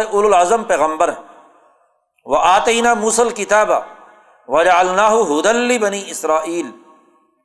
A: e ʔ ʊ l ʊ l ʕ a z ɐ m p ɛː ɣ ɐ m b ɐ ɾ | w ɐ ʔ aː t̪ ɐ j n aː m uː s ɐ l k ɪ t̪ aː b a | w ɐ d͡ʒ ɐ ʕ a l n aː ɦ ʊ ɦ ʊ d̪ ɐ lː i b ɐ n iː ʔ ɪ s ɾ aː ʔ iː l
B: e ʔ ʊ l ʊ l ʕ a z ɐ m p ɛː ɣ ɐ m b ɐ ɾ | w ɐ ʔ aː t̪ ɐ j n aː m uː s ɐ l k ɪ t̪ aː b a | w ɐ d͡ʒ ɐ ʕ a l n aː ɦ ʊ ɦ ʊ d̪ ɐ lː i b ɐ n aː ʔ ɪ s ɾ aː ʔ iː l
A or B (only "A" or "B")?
A